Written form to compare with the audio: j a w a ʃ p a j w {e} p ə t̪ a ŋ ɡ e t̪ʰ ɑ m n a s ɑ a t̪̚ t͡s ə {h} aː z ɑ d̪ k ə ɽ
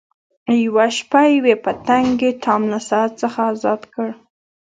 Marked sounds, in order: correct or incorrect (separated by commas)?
correct, incorrect